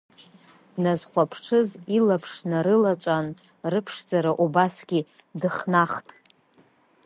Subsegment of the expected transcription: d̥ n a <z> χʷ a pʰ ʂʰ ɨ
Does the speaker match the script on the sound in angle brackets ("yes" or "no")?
yes